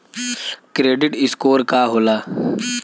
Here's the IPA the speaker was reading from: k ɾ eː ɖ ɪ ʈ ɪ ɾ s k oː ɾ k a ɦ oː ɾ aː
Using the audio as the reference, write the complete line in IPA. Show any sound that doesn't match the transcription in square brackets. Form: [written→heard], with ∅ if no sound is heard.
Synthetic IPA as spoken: k ɾ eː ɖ ɪ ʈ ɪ [ɾ→∅] s k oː ɾ k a ɦ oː [ɾ→l] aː